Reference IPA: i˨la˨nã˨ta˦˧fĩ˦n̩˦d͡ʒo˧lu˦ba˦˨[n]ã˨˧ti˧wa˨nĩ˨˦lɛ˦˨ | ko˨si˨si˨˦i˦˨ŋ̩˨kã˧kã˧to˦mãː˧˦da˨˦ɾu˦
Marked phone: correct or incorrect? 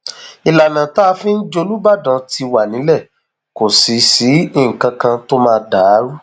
incorrect